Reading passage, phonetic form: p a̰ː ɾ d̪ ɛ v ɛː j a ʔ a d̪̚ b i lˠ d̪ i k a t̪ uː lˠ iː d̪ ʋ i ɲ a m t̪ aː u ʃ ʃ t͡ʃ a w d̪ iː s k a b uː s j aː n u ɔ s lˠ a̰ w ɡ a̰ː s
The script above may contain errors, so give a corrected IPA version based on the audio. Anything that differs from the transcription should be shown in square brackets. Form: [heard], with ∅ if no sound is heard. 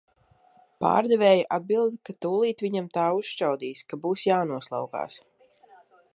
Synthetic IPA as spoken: p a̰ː ɾ d̪ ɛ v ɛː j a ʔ a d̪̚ b i lˠ d̪ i k a t̪ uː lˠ iː [t̪] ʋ i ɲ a m t̪ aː u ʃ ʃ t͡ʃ a w d̪ iː s k a b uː s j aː n u ɔ s lˠ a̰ w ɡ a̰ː s